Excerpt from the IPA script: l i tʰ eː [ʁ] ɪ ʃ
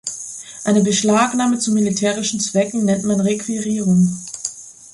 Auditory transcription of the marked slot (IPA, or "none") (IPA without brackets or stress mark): ʁ